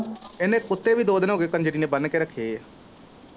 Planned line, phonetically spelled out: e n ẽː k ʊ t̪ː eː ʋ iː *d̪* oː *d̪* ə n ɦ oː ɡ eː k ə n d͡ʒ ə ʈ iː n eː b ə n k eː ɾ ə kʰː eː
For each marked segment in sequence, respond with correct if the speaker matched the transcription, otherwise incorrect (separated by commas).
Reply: correct, correct